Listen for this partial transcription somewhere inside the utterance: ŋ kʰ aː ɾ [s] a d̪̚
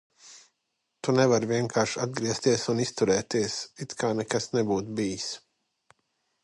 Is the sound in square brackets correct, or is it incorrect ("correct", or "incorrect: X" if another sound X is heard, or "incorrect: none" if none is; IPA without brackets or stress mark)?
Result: incorrect: ʃ